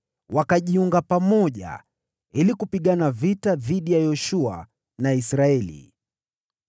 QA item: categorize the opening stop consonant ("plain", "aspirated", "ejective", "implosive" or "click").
plain